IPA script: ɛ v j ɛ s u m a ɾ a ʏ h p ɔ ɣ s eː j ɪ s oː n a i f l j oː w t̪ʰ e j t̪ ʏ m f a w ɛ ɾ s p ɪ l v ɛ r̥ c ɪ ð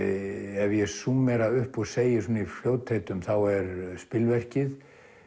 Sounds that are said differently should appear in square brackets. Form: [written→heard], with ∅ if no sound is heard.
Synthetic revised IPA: ɛ v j ɛ s u m [a→ɛ] ɾ a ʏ h p ɔ ɣ s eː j ɪ s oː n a i f l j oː w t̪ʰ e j t̪ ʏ m [f→θ] a w ɛ ɾ s p ɪ l v ɛ r̥ c ɪ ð